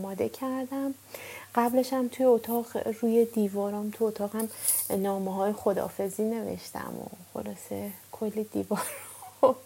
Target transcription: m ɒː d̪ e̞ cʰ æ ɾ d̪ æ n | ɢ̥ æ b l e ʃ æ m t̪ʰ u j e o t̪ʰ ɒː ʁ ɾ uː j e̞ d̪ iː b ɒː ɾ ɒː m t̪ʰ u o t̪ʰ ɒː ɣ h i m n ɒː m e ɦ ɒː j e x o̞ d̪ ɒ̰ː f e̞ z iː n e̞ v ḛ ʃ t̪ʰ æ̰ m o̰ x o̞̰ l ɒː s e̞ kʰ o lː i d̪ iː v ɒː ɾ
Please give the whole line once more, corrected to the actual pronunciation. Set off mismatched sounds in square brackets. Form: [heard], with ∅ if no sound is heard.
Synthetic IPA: m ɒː d̪ e̞ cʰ æ ɾ d̪ æ [m] | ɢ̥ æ b l e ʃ æ m t̪ʰ u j e o t̪ʰ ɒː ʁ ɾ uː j e̞ d̪ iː [v] ɒː ɾ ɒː m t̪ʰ u o t̪ʰ ɒː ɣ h [æ] m n ɒː m e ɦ ɒː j e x o̞ d̪ ɒ̰ː f e̞ z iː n e̞ v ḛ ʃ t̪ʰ æ̰ m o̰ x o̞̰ l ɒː s e̞ kʰ o lː i d̪ iː v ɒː ɾ